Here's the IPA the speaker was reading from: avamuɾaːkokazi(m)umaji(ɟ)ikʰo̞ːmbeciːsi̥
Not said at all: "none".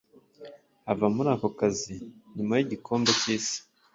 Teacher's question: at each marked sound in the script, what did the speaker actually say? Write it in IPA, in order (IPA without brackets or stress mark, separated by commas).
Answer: ɲ, ɟ